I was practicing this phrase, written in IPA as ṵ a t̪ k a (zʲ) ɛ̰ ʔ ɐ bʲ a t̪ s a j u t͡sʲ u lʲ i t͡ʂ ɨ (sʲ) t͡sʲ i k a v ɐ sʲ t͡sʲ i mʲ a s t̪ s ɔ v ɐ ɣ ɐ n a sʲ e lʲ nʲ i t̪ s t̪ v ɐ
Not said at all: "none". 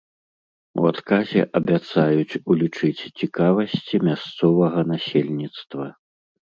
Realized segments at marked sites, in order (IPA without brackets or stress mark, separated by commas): zʲ, t͡sʲ